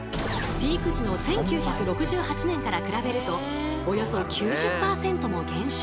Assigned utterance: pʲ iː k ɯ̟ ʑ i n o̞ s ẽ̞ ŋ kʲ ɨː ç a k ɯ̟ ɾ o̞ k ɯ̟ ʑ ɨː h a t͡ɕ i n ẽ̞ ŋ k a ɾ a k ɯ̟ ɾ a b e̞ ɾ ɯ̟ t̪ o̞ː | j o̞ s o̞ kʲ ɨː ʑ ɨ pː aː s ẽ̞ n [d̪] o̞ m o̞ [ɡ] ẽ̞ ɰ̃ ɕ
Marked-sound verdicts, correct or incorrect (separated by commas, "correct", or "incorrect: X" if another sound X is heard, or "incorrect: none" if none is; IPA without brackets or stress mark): incorrect: t̪, correct